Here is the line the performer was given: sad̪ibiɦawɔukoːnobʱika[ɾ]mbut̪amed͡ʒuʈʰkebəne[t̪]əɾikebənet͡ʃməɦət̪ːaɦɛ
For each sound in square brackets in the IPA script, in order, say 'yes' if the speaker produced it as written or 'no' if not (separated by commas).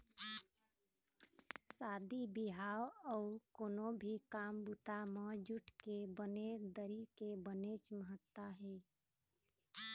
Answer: no, no